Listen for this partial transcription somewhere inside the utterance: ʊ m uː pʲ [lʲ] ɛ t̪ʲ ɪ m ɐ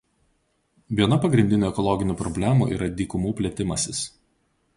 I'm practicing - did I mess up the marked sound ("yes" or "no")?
no